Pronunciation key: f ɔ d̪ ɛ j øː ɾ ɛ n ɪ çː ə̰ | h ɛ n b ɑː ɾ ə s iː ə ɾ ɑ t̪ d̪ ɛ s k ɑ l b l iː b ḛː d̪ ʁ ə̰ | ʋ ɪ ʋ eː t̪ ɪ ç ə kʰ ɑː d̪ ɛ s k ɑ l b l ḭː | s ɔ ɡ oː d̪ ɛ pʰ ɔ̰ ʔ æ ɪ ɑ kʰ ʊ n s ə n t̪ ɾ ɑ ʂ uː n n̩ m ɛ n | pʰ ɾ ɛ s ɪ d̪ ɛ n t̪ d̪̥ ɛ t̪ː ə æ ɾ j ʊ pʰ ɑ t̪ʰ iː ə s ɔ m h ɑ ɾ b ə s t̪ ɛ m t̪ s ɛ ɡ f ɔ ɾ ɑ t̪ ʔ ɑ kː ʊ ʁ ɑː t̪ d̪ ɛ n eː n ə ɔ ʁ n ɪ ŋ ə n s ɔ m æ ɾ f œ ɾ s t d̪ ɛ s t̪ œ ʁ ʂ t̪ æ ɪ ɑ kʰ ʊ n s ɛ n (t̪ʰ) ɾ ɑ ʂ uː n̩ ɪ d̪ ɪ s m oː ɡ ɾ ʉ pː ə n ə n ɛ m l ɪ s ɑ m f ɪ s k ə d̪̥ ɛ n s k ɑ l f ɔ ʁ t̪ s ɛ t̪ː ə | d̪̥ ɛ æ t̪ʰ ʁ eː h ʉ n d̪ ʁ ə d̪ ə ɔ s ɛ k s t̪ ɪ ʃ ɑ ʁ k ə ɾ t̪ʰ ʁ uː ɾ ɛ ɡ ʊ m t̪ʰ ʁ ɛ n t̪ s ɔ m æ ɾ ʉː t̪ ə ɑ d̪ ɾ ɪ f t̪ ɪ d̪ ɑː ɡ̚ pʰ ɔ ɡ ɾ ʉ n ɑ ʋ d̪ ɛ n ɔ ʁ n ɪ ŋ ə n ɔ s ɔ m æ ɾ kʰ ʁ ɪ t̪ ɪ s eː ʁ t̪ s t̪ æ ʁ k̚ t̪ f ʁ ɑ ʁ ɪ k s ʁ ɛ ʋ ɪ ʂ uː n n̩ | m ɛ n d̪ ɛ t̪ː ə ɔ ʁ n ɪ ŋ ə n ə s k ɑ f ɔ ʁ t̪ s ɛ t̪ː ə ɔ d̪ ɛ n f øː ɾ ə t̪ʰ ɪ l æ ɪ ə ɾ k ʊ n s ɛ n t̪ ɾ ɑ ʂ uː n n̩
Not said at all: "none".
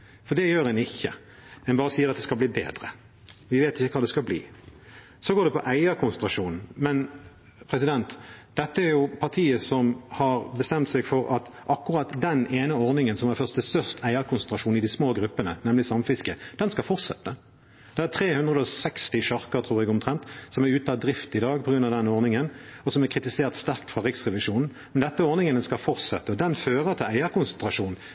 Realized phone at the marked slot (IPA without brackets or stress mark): t̪